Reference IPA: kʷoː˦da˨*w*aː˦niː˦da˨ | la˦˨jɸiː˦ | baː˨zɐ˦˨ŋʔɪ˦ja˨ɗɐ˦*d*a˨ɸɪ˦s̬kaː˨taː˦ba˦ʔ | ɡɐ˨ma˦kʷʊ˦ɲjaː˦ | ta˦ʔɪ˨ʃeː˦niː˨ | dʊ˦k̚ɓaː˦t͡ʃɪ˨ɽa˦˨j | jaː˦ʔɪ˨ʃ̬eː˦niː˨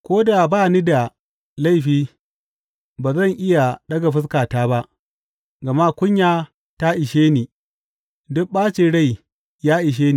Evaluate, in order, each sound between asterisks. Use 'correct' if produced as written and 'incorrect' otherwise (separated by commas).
incorrect, incorrect